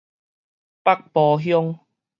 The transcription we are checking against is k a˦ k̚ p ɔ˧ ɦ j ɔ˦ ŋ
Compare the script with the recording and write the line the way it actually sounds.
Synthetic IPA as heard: p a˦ k̚ p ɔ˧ ɦ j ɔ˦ ŋ